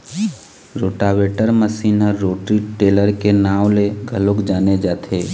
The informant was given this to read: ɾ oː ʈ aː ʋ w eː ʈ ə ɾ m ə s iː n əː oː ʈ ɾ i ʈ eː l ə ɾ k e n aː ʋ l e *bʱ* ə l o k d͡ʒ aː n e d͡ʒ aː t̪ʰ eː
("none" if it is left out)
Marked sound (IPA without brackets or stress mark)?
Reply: ɡʱ